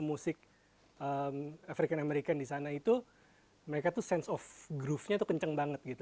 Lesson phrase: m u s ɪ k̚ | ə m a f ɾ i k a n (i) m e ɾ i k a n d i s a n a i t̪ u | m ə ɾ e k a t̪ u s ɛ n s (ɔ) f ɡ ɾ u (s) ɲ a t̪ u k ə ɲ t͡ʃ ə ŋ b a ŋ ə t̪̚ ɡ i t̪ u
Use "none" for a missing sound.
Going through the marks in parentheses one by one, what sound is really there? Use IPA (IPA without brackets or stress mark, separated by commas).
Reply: a, ɔ, f